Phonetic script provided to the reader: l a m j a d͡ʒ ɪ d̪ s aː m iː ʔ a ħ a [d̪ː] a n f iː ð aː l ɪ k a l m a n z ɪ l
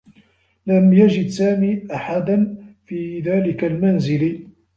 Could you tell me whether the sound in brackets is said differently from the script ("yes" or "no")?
yes